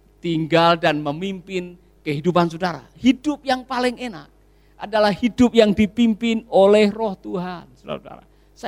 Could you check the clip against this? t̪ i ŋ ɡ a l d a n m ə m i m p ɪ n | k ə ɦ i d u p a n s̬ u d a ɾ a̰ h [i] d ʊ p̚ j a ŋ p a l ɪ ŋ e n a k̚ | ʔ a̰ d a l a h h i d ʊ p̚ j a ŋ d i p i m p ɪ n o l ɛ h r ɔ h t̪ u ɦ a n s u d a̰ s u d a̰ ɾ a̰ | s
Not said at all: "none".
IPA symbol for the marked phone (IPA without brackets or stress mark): i